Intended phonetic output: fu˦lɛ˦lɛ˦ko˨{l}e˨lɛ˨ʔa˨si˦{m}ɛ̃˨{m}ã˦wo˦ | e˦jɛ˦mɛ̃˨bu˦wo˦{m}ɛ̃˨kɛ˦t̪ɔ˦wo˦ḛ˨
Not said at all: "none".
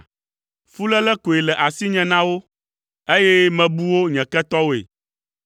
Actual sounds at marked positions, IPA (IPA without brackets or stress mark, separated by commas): none, ɲ, n, ɲ